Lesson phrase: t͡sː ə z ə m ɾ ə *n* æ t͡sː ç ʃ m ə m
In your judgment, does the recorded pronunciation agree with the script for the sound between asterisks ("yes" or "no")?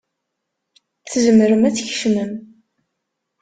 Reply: no